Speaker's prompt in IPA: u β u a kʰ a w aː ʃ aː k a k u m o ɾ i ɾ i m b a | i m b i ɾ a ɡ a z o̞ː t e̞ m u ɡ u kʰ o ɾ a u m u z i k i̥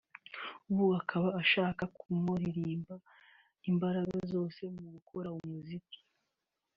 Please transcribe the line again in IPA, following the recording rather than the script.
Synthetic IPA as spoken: u β u a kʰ a β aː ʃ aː k a k u m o ɾ i ɾ iː m b a | i m b a ɾ a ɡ a z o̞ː s e̞ m u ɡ u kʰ o ɾ a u m u z i k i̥